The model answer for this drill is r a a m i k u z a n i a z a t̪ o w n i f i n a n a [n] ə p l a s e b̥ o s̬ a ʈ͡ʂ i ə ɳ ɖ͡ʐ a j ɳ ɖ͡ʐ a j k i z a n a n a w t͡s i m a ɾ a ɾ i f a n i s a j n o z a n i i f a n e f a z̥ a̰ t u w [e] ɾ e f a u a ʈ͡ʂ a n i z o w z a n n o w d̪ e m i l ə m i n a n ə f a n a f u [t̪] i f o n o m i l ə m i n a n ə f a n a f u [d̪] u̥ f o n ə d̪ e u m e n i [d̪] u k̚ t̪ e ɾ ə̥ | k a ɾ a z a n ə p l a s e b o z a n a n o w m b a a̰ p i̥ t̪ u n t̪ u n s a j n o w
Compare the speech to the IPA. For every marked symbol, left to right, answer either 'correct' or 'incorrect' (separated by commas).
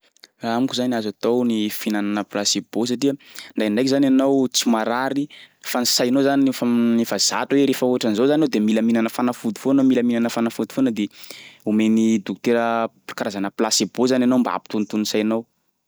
correct, correct, incorrect, correct, correct